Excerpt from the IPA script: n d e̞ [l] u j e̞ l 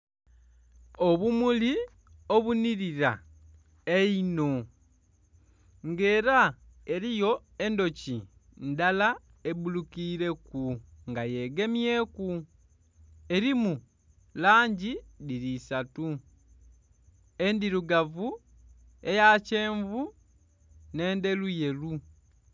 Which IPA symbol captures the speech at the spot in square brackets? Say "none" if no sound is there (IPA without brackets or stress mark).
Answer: l